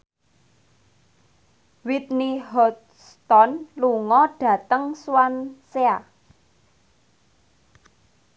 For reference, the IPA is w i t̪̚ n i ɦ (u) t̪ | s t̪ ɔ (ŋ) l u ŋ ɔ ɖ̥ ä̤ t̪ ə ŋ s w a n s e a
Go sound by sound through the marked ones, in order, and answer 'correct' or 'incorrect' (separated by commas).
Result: incorrect, incorrect